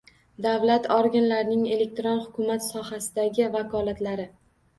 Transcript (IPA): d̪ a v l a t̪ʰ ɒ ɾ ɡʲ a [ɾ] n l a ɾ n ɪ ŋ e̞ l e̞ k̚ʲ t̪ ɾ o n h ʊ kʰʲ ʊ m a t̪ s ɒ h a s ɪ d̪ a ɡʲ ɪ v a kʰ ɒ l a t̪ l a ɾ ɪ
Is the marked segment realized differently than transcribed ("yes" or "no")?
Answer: yes